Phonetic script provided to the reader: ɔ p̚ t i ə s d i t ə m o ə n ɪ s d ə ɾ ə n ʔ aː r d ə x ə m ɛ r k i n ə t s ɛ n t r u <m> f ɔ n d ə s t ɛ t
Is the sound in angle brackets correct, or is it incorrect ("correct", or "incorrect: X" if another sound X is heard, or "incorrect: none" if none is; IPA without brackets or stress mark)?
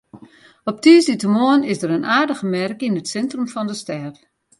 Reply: correct